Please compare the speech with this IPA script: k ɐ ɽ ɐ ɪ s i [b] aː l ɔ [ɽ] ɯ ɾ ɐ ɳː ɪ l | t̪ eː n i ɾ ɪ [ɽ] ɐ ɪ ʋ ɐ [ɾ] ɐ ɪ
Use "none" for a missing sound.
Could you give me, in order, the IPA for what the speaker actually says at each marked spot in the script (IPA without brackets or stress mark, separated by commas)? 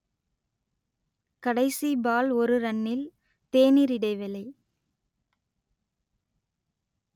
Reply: b, ɾ, ɽ, l